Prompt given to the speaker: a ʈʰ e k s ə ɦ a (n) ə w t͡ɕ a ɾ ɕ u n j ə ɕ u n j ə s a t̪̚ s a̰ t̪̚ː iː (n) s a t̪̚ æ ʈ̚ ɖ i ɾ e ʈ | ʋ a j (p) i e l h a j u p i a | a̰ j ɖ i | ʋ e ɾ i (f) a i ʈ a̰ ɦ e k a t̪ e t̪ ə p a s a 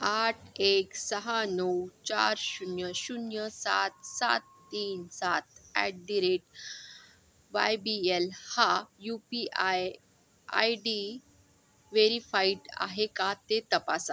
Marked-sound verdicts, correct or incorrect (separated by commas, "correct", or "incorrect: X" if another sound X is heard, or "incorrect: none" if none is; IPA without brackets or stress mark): correct, correct, incorrect: b, correct